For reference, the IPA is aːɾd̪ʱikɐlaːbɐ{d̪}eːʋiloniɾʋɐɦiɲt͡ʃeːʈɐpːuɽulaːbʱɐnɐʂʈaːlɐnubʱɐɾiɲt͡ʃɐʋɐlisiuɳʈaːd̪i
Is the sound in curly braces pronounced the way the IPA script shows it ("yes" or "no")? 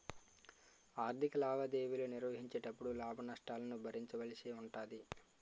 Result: yes